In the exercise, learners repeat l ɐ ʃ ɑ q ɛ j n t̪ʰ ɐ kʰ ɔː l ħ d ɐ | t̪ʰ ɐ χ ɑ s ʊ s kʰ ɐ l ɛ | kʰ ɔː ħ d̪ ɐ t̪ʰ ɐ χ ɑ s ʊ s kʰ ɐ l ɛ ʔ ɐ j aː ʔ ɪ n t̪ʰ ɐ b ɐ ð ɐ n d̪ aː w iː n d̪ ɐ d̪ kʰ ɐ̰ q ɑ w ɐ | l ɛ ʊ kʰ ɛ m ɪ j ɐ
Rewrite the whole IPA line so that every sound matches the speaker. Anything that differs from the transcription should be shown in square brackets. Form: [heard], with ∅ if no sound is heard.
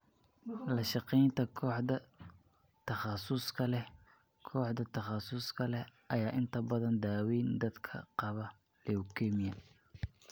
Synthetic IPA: l ɐ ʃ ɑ q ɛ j n t̪ʰ ɐ kʰ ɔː [∅] ħ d ɐ | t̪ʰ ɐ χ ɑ s ʊ s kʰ ɐ l ɛ | kʰ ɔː ħ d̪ ɐ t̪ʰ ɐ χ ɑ s ʊ s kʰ ɐ l ɛ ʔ ɐ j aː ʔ ɪ n t̪ʰ ɐ b ɐ ð ɐ n d̪ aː w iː n d̪ ɐ d̪ kʰ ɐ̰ q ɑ [β] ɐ | l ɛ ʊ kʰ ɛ m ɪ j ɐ

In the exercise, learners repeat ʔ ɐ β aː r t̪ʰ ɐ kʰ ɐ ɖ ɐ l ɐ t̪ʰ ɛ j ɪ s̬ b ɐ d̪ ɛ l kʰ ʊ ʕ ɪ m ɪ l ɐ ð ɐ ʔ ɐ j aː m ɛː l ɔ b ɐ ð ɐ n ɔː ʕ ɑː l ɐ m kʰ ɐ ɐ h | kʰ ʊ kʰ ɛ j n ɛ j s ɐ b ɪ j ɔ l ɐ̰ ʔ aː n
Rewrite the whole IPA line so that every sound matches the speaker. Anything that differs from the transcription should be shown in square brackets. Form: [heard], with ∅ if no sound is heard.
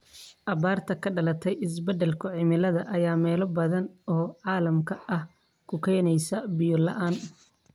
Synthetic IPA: ʔ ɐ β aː r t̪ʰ ɐ kʰ ɐ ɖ ɐ l ɐ t̪ʰ ɛ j ɪ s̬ b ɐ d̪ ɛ l kʰ ʊ ʕ ɪ m ɪ l ɐ ð ɐ ʔ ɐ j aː m ɛː l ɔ b ɐ ð ɐ n ɔː ʕ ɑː l ɐ m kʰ ɐ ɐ h | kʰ ʊ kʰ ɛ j n ɛ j s ɐ b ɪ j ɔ l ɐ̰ ʔ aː n

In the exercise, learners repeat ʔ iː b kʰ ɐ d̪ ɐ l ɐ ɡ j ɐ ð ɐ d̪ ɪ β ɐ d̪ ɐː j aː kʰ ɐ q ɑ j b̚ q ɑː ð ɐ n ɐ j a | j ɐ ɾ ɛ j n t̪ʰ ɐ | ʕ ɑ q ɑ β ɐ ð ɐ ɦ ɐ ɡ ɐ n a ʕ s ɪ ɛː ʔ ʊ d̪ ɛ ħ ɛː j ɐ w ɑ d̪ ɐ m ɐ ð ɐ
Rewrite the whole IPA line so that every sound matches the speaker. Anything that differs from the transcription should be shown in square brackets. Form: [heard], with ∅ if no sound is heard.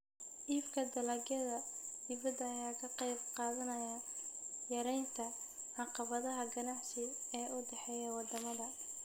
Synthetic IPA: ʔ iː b kʰ ɐ d̪ ɐ l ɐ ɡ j ɐ ð ɐ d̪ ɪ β ɐ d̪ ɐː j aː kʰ ɐ q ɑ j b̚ q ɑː ð ɐ n ɐ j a | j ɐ ɾ ɛ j n t̪ʰ ɐ | ʕ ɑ q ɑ β ɐ ð ɐ ɦ ɐ ɡ ɐ n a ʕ s ɪ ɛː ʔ ʊ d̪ ɛ ħ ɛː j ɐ w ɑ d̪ ɐ m ɐ ð ɐ

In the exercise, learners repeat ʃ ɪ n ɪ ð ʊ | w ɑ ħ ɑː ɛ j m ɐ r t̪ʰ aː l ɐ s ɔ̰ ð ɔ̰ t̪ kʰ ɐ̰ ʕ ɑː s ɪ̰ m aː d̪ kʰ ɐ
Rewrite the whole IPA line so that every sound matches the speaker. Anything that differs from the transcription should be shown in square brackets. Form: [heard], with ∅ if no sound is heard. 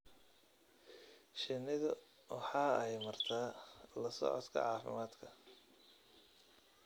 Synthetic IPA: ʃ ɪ n ɪ ð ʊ | w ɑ ħ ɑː ɛ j m ɐ r t̪ʰ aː l ɐ s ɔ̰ [ʕ] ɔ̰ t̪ kʰ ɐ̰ ʕ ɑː [f] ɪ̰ m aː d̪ kʰ ɐ

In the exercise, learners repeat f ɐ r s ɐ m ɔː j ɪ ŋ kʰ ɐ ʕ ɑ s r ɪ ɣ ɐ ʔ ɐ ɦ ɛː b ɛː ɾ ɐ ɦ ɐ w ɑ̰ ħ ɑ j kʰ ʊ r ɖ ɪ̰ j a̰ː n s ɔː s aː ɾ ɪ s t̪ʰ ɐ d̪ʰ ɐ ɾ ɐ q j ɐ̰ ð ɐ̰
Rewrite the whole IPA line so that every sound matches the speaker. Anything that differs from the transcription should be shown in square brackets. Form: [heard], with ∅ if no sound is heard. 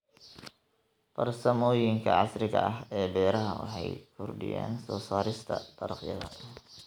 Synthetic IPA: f ɐ r s ɐ m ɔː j ɪ ŋ kʰ ɐ ʕ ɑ s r ɪ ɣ ɐ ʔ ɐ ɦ ɛː b ɛː ɾ ɐ ɦ ɐ w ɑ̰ ħ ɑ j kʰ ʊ r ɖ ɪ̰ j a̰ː n s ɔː s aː ɾ ɪ s t̪ʰ ɐ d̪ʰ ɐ ɾ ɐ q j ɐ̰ ð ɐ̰

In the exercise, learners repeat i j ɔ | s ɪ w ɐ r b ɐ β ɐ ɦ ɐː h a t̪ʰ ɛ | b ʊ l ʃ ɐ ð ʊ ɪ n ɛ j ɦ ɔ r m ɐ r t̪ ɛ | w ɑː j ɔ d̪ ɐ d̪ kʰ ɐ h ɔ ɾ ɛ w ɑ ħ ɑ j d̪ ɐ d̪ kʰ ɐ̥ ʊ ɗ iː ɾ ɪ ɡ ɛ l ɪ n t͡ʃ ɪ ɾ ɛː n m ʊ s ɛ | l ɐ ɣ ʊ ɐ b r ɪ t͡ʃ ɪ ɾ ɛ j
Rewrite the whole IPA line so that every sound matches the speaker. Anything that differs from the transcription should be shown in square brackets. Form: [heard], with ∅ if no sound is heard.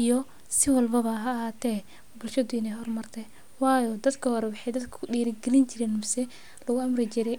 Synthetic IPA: i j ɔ | s ɪ w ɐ [l] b ɐ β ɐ ɦ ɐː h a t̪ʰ ɛ | b ʊ l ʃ ɐ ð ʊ ɪ n ɛ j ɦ ɔ r m ɐ r [t̪ʰ] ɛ | w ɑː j ɔ d̪ ɐ d̪ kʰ ɐ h ɔ ɾ ɛ w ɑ ħ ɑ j d̪ ɐ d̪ kʰ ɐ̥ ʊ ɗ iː ɾ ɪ ɡ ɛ l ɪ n t͡ʃ ɪ ɾ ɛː n m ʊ s ɛ | l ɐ ɣ ʊ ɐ [m] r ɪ t͡ʃ ɪ ɾ ɛ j

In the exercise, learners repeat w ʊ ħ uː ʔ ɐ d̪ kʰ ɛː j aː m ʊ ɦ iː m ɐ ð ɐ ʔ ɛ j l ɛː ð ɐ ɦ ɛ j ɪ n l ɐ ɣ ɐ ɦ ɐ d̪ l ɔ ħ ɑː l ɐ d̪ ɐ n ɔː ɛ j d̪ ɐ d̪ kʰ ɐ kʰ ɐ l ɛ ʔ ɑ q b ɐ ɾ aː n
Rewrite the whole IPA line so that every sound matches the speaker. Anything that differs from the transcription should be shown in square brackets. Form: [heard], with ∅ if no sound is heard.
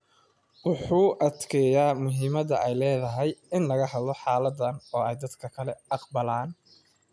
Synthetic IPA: w ʊ ħ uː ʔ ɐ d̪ kʰ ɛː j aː m ʊ ɦ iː m ɐ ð ɐ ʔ ɛ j l ɛː ð ɐ ɦ ɛ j ɪ n l ɐ ɣ ɐ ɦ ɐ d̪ l ɔ ħ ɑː l ɐ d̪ ɐ n ɔː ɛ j d̪ ɐ d̪ kʰ ɐ kʰ ɐ l ɛ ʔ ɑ q b ɐ [l] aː n

